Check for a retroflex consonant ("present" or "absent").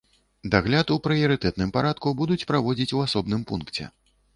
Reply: absent